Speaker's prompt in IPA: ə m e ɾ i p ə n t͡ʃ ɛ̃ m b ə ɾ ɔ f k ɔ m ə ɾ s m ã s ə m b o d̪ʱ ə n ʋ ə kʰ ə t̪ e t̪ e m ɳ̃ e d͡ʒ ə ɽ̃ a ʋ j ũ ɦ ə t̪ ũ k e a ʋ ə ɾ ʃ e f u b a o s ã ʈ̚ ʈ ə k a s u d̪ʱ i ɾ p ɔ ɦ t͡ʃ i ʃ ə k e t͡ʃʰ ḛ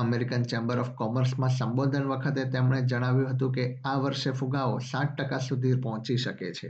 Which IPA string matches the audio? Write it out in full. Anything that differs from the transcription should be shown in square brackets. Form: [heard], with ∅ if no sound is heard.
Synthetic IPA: ə m e ɾ i [k] ə n t͡ʃ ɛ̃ m b ə ɾ ɔ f k ɔ m ə ɾ s m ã s ə m b o d̪ʱ ə n ʋ ə kʰ ə t̪ e t̪ e m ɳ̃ e d͡ʒ ə ɽ̃ a ʋ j ũ ɦ ə t̪ ũ k e a ʋ ə ɾ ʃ e f u [ɡ] a o s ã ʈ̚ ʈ ə k a s u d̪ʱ i ɾ p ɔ ɦ t͡ʃ i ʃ ə k e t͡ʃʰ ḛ